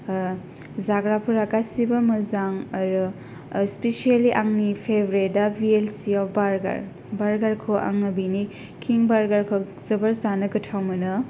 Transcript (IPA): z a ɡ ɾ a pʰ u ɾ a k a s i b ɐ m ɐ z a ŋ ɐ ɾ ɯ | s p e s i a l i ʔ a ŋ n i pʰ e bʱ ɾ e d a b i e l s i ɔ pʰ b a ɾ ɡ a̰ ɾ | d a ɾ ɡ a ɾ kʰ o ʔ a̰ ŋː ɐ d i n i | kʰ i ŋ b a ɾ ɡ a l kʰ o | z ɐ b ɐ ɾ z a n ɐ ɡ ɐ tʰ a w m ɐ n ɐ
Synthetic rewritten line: z a ɡ ɾ a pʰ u ɾ a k a s i b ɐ m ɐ z a ŋ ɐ ɾ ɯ | s p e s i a l i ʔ a ŋ n i pʰ e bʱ ɾ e d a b i e l s i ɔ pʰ b a ɾ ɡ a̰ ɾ | b a ɾ ɡ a ɾ kʰ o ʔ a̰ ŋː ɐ b i n i | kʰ i ŋ b a ɾ ɡ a ɾ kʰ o | z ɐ b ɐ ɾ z a n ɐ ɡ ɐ tʰ a w m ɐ n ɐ

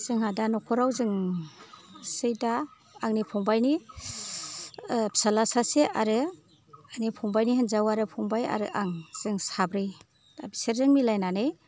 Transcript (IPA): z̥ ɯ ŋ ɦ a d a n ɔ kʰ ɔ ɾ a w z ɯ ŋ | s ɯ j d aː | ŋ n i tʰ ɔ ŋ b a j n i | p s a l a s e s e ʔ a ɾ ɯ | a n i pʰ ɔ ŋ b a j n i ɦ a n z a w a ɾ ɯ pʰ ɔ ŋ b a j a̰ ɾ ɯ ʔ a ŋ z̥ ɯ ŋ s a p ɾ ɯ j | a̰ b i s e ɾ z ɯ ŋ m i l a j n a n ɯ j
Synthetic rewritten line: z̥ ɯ ŋ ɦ a d a n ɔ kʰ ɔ ɾ a w z ɯ ŋ | s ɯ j d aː | ŋ n i pʰ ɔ ŋ b a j n i | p s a l a s a s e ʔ a ɾ ɯ | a n i pʰ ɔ ŋ b a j n i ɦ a n z a w a ɾ ɯ pʰ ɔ ŋ b a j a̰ ɾ ɯ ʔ a ŋ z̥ ɯ ŋ s a b ɾ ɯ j | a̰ b i s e ɾ z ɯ ŋ m i l a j n a n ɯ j

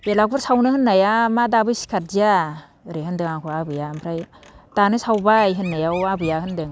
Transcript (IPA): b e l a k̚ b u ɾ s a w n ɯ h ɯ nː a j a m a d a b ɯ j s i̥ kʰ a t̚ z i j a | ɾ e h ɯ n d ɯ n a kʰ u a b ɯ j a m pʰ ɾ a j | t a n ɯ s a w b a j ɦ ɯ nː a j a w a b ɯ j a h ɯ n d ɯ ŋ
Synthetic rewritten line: b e l a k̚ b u ɾ s a w n ɯ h ɯ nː a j a m a d a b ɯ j s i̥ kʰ a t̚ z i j a | ɾ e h ɯ n d ɯ ŋ a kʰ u a b ɯ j a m pʰ ɾ a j | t a n ɯ s a w b a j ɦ ɯ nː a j a w a b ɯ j a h ɯ n d ɯ ŋ

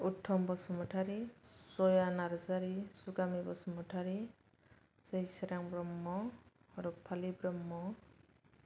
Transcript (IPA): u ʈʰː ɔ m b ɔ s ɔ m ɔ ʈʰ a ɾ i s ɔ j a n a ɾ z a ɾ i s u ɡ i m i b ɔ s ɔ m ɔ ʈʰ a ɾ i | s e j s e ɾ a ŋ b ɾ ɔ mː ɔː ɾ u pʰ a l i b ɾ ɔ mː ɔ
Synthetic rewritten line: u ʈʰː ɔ m b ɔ s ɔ m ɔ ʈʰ a ɾ i s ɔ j a n a ɾ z a ɾ i s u ɡ a m i b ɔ s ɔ m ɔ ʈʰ a ɾ i | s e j s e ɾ a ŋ b ɾ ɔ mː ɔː ɾ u pʰ a l i b ɾ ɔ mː ɔ

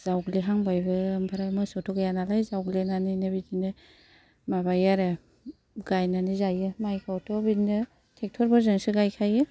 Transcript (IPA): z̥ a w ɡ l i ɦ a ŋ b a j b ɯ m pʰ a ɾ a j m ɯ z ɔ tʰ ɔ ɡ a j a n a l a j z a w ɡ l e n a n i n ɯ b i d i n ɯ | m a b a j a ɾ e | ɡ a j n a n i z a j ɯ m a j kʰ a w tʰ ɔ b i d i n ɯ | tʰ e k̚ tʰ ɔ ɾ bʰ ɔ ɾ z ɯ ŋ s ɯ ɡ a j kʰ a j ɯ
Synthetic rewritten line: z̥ a w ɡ l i ɦ a ŋ b a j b ɯ m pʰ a ɾ a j m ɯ s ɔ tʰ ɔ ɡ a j a n a l a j z a w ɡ l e n a n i n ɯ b i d i n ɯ | m a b a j a ɾ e | ɡ a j n a n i z a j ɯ m a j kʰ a w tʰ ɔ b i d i n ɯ | tʰ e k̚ tʰ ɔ ɾ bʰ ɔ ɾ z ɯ ŋ s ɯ ɡ a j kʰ a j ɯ

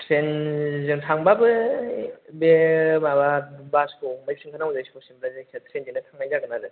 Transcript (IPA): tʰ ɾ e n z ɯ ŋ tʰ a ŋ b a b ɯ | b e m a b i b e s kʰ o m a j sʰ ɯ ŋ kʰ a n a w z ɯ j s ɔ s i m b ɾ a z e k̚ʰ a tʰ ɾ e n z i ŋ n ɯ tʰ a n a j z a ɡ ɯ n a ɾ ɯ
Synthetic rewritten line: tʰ ɾ e n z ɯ ŋ tʰ a ŋ b a b ɯ | b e m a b a b a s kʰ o m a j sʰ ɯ ŋ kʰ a n a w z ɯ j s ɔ s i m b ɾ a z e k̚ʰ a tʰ ɾ e n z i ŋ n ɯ tʰ a ŋ a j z a ɡ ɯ n a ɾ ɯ

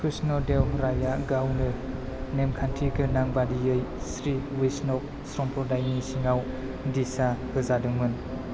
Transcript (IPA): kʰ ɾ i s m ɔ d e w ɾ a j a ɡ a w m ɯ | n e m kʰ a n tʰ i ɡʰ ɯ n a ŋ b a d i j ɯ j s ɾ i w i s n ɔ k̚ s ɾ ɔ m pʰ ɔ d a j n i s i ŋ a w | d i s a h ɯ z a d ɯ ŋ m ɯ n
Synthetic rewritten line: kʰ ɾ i s n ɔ d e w ɾ a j a ɡ a w n ɯ | n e m kʰ a n tʰ i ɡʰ ɯ n a ŋ b a d i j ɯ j s ɾ i w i s n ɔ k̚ s ɾ ɔ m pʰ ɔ d a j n i s i ŋ a w | d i s a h ɯ z a d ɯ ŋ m ɯ n

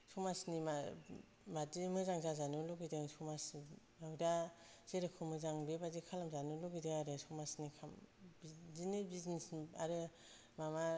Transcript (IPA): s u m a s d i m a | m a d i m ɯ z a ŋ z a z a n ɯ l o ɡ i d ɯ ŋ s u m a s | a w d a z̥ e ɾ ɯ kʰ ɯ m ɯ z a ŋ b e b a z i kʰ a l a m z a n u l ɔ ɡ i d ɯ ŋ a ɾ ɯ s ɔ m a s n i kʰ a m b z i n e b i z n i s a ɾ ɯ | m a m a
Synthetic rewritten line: s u m a s n i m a | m a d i m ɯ z a ŋ z a z a n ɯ l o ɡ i d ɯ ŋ s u m a s | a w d a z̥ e ɾ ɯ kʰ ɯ m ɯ z a ŋ b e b a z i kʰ a l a m z a n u l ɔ ɡ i d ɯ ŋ a ɾ ɯ s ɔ m a s n i kʰ a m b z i n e b i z n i s a ɾ ɯ | m a m a

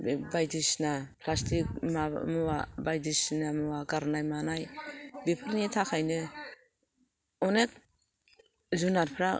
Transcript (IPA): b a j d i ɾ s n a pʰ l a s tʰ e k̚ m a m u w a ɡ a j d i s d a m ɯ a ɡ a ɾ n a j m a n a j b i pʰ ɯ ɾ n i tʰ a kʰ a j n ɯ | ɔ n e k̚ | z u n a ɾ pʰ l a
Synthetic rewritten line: b a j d i s n a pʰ l a s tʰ i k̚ m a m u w a b a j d i s n a m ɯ a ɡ a ɾ n a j m a n a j b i pʰ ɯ ɾ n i tʰ a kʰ a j n ɯ | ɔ n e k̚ | z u n a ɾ pʰ ɾ a

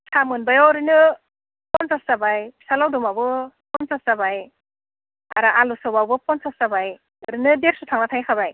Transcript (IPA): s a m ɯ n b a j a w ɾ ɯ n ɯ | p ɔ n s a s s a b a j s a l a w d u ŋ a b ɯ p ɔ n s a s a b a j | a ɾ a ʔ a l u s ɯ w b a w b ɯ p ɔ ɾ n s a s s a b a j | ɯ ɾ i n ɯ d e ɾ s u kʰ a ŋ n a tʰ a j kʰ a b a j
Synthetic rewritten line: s a m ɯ n b a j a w ɾ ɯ n ɯ | p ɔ n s a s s a b a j s a l a w d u m a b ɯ p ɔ n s a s a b a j | a ɾ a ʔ a l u s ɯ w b a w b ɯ p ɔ n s a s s a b a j | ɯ ɾ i n ɯ d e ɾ s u tʰ a ŋ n a tʰ a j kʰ a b a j

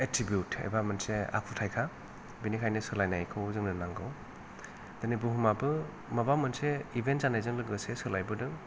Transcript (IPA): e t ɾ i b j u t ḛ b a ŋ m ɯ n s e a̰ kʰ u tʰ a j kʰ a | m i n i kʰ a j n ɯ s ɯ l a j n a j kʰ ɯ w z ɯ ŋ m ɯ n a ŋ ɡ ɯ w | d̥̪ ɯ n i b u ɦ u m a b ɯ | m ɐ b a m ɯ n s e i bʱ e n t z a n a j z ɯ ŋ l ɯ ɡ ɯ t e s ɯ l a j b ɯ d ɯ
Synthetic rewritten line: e t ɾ i b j u t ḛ b a m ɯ n s e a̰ kʰ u tʰ a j kʰ a | b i n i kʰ a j n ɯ s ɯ l a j n a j kʰ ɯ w z ɯ ŋ n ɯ n a ŋ ɡ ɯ w | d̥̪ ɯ n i b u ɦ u m a b ɯ | m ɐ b a m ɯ n s e i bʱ e n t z a n a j z ɯ ŋ l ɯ ɡ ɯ s e s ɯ l a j b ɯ d ɯ

